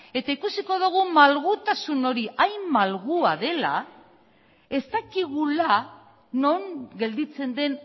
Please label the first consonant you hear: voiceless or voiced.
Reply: voiceless